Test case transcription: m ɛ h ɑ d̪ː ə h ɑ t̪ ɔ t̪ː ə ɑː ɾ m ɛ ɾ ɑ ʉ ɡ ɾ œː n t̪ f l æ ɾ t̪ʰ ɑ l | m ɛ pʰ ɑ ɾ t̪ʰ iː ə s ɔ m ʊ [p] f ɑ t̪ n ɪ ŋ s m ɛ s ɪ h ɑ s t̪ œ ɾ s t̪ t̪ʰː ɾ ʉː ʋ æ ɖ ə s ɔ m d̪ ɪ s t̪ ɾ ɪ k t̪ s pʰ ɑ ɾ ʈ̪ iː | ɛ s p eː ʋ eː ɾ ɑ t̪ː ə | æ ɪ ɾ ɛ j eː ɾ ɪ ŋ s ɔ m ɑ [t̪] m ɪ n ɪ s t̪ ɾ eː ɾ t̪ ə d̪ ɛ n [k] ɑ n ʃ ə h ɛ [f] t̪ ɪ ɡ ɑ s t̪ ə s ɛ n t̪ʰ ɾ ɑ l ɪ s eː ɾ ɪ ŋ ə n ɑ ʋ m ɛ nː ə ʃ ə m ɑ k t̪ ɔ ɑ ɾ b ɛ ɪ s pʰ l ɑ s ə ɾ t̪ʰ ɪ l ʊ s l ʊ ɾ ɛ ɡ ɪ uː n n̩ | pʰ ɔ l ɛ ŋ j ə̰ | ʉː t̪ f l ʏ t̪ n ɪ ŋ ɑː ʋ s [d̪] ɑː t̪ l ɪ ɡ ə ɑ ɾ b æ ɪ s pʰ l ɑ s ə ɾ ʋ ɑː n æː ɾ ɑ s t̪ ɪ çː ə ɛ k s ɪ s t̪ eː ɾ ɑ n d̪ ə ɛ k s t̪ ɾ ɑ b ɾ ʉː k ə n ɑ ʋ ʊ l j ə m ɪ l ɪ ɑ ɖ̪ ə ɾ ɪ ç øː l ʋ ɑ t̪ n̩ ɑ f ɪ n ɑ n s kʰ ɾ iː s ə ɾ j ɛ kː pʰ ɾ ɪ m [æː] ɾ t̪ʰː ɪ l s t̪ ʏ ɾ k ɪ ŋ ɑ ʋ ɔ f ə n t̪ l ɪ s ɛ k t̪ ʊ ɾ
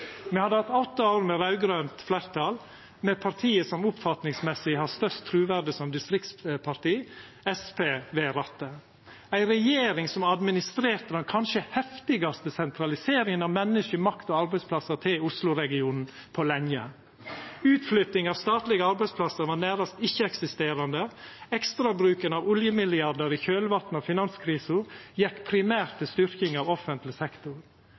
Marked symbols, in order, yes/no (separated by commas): yes, no, no, yes, no, yes